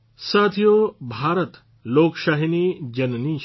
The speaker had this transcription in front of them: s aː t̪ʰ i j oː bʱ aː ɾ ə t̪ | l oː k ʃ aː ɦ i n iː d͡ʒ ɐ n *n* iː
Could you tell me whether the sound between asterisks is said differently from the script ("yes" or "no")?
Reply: no